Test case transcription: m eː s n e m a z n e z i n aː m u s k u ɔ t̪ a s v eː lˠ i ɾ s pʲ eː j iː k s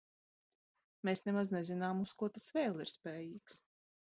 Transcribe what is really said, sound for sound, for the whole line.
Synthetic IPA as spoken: m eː s n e m a z n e z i n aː m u s k u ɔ t̪ a s v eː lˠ i ɾ s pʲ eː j iː k s